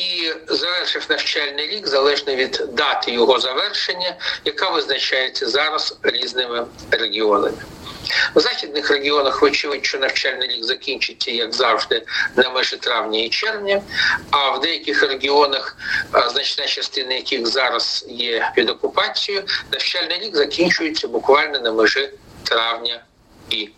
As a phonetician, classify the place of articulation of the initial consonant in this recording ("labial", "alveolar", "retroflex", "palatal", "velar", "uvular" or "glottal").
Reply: alveolar